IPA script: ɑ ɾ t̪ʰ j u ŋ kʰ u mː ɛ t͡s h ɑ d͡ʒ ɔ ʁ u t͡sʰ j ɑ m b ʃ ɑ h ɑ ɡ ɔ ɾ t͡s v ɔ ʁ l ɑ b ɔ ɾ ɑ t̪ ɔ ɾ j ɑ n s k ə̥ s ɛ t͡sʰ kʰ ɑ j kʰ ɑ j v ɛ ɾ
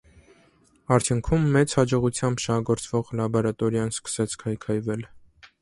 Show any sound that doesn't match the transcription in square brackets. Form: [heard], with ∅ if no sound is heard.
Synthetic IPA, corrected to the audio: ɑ ɾ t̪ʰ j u ŋ kʰ u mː ɛ t͡s h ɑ d͡ʒ ɔ ʁ u t͡sʰ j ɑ m b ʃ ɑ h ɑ ɡ ɔ ɾ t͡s v ɔ ʁ l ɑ b ɔ ɾ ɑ t̪ ɔ ɾ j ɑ n s k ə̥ s ɛ t͡sʰ kʰ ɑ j kʰ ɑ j v ɛ [l]